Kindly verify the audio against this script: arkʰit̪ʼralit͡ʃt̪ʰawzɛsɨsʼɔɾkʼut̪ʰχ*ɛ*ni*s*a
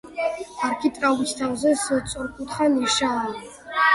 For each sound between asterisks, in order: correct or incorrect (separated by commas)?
incorrect, incorrect